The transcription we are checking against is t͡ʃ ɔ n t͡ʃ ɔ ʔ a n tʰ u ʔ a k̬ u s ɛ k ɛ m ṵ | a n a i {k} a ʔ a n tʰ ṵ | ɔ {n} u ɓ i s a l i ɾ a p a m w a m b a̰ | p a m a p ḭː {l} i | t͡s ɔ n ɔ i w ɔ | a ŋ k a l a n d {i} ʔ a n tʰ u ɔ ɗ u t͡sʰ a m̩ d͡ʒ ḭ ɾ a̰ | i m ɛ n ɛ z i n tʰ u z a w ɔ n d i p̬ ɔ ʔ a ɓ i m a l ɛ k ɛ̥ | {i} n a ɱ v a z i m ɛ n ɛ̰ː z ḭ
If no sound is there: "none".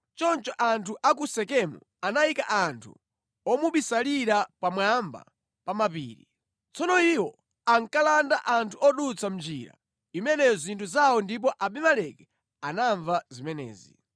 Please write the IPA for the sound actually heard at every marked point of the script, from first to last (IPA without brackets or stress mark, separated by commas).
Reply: k, m, ɾ, a, a